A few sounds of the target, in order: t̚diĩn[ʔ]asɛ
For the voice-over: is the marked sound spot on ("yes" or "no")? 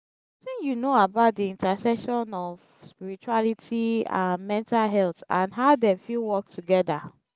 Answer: no